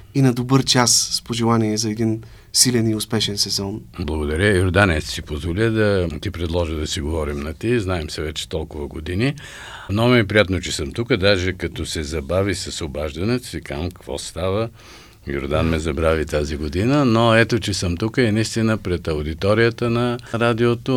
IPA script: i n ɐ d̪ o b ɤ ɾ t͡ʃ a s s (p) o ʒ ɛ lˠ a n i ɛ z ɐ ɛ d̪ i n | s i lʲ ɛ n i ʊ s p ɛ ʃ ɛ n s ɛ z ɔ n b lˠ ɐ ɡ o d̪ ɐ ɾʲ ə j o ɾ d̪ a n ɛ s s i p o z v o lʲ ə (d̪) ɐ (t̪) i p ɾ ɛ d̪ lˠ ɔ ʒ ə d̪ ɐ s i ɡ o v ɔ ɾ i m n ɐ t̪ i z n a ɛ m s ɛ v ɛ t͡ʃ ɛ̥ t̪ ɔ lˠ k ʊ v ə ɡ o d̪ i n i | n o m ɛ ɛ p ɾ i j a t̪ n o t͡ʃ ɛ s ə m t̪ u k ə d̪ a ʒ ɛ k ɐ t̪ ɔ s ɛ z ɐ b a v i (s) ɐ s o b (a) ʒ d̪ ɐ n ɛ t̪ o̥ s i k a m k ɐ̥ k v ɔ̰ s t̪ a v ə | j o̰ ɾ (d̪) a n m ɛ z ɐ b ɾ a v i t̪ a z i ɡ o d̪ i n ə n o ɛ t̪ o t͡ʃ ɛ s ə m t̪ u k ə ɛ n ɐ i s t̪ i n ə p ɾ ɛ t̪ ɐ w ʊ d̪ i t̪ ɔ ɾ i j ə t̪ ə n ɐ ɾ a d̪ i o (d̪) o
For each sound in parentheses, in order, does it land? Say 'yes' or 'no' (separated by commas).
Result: yes, yes, yes, yes, yes, yes, no